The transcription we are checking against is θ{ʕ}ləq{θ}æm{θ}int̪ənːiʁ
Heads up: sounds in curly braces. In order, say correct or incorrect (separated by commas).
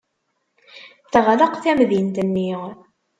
incorrect, correct, incorrect